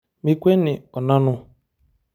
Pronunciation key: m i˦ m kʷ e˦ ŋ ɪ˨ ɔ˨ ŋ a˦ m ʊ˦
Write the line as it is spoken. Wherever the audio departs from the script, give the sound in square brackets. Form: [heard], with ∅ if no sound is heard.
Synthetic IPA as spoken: m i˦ [∅] kʷ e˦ [n] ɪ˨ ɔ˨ [n] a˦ [n] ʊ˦